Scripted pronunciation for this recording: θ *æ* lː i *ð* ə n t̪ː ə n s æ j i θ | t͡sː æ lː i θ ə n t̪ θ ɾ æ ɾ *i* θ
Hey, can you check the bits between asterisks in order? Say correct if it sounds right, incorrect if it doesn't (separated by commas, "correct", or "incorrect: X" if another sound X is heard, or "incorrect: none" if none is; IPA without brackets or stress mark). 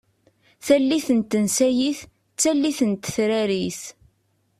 correct, incorrect: θ, correct